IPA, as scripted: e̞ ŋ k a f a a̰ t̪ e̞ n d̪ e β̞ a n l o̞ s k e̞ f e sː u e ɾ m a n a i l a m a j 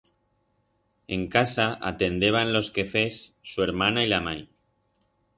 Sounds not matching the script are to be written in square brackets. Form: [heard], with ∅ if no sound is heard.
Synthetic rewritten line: e̞ ŋ k a [s] a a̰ t̪ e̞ n d̪ e β̞ a n l o̞ s k e̞ f e sː u e ɾ m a n a i l a m a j

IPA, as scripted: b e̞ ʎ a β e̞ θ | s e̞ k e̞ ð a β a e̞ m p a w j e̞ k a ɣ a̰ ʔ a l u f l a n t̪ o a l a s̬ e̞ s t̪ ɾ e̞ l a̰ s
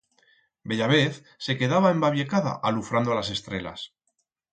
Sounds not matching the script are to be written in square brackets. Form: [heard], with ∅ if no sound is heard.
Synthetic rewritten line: b e̞ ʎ a β e̞ θ | s e̞ k e̞ ð a β a e̞ m [b] a [β] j e̞ k a [ð] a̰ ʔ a l u f [ɾ] a n [d̪] o a l a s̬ e̞ s t̪ ɾ e̞ l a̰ s

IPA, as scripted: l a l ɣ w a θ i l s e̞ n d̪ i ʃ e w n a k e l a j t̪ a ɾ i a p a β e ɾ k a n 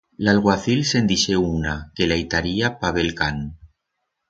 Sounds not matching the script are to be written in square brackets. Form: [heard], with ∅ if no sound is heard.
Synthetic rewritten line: l a l ɣ w a θ i l s e̞ n d̪ i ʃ e [u] n a k e l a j t̪ a ɾ i a p a β e [l] k a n

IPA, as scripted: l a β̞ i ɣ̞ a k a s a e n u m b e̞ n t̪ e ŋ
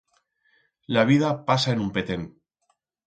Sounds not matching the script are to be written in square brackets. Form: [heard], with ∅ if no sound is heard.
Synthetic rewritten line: l a β̞ i [ð̞] a [p] a s a e n u m [p] e̞ [∅] t̪ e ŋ

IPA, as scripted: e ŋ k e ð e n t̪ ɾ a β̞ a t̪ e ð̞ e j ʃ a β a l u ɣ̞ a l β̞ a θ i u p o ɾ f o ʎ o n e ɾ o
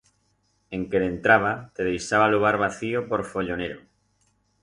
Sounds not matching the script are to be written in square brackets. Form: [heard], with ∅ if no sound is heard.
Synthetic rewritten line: e ŋ k e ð e n t̪ ɾ a β̞ a t̪ e ð̞ e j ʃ a β a l u ɣ̞ a [ɾ] β̞ a θ i [o] p o ɾ f o ʎ o n e ɾ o

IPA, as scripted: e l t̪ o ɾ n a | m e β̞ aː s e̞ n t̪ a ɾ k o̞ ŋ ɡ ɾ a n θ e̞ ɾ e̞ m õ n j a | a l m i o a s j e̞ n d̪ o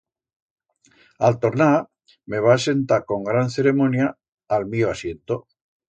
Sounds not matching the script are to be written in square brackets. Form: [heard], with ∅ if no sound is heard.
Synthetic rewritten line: [a] l t̪ o ɾ n a | m e β̞ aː s e̞ n t̪ a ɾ k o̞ ŋ ɡ ɾ a n θ e̞ ɾ e̞ m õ n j a | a l m i o a s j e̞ n [t̪] o

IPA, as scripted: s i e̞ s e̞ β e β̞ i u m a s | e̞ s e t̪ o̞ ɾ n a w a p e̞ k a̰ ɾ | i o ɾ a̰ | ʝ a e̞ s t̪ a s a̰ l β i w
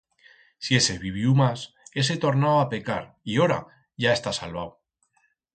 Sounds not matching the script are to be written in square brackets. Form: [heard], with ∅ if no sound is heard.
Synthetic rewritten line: s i e̞ s e̞ β [i] β̞ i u m a s | e̞ s e t̪ o̞ ɾ n a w a p e̞ k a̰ ɾ | i o ɾ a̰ | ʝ a e̞ s t̪ a s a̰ l β [a] w

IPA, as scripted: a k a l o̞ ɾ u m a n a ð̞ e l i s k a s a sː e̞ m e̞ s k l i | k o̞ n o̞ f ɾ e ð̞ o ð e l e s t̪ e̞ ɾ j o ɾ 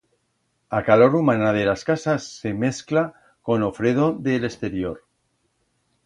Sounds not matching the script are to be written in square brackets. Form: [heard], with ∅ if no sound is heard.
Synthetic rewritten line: a k a l o̞ ɾ u m a n a ð̞ e l [a] s k a s a sː e̞ m e̞ s k l [a] | k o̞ n o̞ f ɾ e ð̞ o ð e l e s t̪ e̞ ɾ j o ɾ

